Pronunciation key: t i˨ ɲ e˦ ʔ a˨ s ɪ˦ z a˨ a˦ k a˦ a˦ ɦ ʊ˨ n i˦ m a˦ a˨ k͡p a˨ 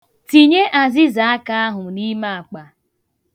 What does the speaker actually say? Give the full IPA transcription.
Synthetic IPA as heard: t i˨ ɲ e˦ ʔ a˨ z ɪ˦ z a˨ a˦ k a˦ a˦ ɦ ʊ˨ n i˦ m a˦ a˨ k͡p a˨